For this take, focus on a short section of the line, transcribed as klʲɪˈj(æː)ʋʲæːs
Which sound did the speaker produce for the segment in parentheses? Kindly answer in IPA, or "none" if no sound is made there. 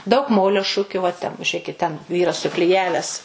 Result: æː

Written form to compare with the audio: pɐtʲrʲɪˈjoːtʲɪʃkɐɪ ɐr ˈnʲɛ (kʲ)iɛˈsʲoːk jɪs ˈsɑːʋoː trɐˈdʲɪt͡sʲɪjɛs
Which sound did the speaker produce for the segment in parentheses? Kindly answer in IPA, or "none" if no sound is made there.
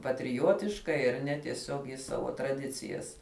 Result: tʲ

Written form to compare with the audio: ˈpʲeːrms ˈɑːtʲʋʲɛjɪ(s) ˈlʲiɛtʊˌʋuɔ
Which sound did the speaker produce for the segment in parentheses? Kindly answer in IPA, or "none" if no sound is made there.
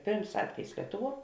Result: s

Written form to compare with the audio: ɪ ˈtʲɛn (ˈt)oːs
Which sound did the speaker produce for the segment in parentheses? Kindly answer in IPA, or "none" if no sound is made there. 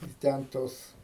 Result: t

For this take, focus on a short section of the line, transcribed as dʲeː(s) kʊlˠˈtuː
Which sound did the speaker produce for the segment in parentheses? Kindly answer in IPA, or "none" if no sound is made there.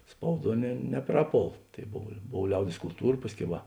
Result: s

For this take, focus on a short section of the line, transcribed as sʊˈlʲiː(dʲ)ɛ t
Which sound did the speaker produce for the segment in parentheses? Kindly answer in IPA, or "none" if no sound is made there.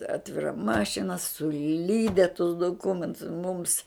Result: dʲ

